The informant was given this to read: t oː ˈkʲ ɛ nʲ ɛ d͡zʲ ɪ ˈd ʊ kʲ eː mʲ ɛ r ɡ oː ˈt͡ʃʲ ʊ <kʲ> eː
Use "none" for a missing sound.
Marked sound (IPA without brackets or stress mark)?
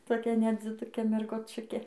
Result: kʲ